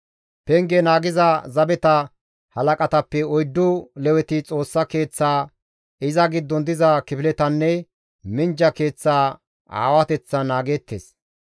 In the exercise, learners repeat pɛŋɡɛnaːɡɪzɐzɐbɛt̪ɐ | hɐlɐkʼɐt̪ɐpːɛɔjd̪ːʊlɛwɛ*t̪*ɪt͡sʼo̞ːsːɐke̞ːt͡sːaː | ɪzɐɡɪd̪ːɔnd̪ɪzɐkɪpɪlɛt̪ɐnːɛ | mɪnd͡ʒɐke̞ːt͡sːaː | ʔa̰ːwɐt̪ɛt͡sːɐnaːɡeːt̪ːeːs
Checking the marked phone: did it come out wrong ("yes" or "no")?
no